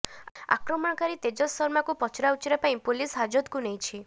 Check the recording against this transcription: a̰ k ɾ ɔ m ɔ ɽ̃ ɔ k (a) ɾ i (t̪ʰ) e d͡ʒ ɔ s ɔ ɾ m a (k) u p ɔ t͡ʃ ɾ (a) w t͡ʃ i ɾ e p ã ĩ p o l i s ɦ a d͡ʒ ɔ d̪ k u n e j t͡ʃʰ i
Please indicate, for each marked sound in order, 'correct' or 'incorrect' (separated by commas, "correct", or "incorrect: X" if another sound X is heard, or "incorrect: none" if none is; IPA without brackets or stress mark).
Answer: correct, incorrect: t̪, correct, correct